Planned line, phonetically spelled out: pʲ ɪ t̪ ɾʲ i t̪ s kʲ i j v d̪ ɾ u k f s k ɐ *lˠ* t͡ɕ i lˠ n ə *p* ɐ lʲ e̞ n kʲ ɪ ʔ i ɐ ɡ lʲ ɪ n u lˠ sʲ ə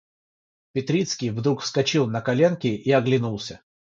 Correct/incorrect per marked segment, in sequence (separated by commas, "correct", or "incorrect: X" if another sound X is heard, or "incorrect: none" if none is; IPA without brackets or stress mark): incorrect: none, incorrect: k